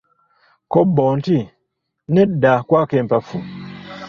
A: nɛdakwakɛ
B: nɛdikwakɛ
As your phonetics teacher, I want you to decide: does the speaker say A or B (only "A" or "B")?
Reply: A